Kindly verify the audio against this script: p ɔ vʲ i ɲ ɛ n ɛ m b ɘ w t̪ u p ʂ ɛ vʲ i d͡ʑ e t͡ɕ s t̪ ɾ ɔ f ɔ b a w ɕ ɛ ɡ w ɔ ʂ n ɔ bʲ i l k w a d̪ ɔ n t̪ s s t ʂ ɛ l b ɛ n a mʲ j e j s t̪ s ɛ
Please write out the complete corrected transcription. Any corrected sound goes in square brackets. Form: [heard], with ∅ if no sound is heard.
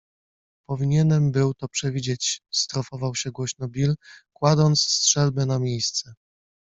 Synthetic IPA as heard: p ɔ vʲ i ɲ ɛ n ɛ m b ɘ w t̪ [ɔ] p ʂ ɛ vʲ i d͡ʑ e t͡ɕ s t̪ ɾ ɔ f ɔ [v] a w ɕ ɛ ɡ w ɔ [ɕ] n ɔ bʲ i l k w a d̪ ɔ n t̪ s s t ʂ ɛ l b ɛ n a mʲ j e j s t̪ s ɛ